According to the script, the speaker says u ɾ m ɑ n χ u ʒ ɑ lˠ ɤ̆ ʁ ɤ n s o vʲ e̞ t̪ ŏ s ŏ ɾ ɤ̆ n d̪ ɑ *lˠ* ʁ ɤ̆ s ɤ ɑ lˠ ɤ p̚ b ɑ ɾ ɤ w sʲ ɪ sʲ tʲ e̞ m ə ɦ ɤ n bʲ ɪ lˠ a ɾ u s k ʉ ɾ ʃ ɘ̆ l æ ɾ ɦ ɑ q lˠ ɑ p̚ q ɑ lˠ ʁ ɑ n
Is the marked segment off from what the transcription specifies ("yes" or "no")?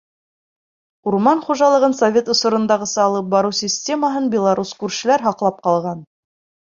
yes